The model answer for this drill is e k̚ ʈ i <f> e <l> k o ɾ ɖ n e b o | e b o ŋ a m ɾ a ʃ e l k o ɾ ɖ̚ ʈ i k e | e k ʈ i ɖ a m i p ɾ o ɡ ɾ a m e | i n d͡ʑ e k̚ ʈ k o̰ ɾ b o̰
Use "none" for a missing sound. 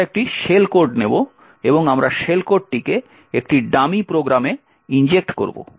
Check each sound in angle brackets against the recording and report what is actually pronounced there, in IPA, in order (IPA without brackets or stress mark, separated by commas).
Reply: ʃ, l